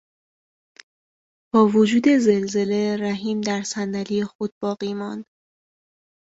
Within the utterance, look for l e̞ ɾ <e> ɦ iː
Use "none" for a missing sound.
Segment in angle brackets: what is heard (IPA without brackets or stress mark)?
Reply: æ